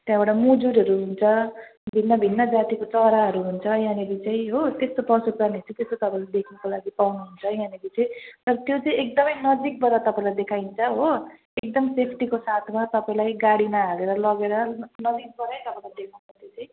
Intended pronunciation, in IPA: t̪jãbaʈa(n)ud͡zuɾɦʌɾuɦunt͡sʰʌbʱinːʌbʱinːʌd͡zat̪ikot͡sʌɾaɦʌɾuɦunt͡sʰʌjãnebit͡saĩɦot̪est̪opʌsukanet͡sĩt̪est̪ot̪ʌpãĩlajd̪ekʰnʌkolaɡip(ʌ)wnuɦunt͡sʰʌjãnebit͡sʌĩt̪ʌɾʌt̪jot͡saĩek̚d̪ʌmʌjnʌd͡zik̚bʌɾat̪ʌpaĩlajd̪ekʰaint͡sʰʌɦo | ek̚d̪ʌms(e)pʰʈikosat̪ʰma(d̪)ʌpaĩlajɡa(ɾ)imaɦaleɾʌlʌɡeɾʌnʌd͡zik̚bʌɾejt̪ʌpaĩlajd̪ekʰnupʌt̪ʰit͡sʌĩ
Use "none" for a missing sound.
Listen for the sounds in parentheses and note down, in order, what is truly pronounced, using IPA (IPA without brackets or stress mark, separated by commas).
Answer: m, a, e, t̪, ɽ